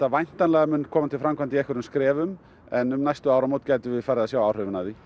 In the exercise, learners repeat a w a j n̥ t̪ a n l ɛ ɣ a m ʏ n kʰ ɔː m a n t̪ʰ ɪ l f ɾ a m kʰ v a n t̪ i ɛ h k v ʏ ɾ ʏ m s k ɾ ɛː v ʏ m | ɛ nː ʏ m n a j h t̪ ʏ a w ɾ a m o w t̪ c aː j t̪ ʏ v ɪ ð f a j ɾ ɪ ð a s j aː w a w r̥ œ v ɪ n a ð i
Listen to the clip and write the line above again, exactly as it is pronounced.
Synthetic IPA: a v a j n̥ t̪ a n l ɛ ɣ a m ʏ n kʰ ɔː m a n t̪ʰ ɪ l f ɾ a m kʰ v a n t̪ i ɛ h k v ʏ ɾ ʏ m s k ɾ ɛː v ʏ m | ɛ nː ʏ m n a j s t̪ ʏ a w ɾ a m o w t̪ c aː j t̪ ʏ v ɪ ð f a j ɾ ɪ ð a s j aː w a w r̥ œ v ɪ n a ð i